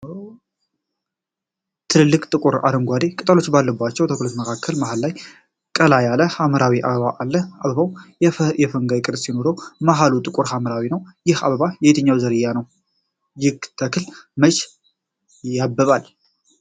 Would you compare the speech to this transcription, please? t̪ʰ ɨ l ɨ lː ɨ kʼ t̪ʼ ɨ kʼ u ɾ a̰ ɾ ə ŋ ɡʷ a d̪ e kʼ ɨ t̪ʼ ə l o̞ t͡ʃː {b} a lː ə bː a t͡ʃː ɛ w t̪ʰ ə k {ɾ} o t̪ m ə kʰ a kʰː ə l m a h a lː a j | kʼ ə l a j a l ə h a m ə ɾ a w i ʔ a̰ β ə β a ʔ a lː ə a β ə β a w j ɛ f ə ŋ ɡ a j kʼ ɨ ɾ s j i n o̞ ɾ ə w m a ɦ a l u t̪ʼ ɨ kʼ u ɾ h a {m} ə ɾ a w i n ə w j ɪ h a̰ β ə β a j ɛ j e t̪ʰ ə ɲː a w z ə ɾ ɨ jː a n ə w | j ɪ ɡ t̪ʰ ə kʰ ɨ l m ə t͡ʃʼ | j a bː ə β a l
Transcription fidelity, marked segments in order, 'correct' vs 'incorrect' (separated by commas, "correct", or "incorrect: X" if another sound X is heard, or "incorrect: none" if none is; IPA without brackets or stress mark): correct, incorrect: l, correct